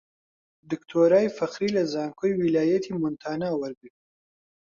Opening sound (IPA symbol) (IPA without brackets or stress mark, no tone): d̪